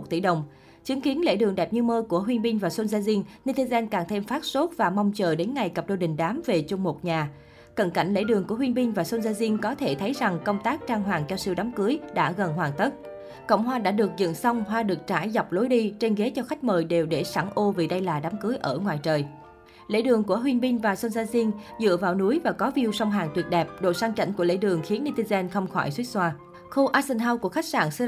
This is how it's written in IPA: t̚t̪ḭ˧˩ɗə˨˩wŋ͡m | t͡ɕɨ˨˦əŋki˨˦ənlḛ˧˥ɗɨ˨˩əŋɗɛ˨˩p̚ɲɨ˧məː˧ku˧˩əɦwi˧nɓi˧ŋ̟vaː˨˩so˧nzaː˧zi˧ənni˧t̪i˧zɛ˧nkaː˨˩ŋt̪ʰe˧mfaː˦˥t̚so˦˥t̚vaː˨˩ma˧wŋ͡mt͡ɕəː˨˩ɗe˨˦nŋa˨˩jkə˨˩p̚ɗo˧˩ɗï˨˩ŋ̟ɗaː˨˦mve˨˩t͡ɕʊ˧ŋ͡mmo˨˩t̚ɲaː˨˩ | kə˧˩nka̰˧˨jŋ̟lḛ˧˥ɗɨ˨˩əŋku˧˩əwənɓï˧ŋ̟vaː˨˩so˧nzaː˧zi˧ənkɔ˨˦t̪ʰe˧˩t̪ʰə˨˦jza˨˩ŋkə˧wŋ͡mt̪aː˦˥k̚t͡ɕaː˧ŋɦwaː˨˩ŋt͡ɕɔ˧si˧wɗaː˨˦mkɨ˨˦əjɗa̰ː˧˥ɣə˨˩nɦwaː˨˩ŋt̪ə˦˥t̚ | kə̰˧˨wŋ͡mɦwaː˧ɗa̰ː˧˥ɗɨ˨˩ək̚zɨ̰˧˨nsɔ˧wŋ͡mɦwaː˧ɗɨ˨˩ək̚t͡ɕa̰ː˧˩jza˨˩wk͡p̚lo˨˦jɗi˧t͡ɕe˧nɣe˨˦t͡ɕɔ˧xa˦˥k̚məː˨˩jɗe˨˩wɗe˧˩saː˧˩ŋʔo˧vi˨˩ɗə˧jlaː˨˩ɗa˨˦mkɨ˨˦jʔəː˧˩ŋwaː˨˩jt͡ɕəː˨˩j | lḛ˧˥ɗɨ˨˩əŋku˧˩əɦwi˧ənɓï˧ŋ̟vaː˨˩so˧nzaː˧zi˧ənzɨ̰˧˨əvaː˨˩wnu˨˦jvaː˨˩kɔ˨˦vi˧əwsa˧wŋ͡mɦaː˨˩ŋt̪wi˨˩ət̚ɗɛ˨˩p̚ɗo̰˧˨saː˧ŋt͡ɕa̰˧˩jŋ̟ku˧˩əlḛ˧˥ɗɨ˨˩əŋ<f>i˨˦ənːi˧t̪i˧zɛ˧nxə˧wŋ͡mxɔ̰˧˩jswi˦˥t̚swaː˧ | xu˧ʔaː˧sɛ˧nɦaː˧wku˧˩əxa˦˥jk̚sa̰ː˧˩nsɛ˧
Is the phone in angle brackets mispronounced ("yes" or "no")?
yes